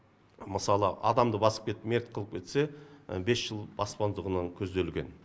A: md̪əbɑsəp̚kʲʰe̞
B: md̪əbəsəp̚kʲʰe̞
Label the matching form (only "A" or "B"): A